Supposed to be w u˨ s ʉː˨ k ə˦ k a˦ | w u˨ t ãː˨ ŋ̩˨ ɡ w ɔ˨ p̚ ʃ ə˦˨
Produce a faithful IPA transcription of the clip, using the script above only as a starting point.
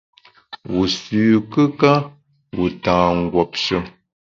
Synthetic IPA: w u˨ s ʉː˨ k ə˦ k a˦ | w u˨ t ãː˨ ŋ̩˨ ɡ w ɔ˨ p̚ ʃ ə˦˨